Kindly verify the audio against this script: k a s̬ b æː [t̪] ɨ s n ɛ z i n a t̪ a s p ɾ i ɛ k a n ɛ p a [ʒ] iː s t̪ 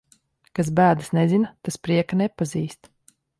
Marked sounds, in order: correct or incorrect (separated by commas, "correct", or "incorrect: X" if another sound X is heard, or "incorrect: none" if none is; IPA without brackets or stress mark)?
incorrect: d̪, incorrect: z